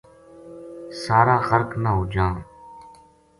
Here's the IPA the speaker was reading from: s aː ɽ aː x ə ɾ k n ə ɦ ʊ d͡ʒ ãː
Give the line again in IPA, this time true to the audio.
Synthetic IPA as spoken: s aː ɾ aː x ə ɾ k n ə ɦ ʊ d͡ʒ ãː